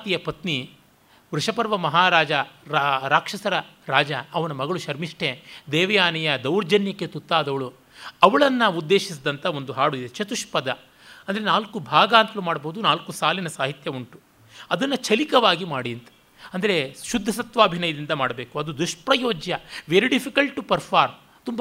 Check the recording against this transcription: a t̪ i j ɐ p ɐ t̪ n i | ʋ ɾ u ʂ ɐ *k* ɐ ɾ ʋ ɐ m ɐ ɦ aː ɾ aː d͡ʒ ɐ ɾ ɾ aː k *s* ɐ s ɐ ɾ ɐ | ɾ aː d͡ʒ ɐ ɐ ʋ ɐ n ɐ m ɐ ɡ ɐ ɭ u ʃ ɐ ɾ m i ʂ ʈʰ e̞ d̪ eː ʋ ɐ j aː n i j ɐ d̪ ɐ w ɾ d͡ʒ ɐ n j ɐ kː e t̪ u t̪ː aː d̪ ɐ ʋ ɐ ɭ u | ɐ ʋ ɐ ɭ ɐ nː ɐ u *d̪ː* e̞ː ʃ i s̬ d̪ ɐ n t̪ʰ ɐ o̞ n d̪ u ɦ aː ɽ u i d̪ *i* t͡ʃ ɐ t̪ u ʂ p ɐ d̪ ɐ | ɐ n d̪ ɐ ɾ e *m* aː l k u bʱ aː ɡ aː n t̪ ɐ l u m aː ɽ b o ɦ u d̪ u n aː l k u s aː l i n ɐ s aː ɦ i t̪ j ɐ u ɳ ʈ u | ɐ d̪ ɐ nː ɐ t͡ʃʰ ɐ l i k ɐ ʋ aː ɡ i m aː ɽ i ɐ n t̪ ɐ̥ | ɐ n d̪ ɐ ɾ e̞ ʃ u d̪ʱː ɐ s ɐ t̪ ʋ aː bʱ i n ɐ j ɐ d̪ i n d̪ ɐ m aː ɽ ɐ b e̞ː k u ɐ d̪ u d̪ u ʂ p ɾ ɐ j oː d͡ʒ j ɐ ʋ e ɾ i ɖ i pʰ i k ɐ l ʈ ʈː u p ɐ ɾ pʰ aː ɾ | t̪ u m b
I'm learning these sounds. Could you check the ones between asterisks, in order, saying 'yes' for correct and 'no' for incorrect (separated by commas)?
no, no, yes, no, no